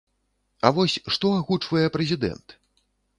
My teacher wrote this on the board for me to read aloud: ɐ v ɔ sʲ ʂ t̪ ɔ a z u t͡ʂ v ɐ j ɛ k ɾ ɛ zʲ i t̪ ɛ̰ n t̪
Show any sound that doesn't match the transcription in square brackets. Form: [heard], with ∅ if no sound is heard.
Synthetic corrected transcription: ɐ v ɔ sʲ ʂ t̪ ɔ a [ɣ] u t͡ʂ v ɐ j ɛ [p] ɾ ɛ zʲ i [d̪] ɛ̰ n t̪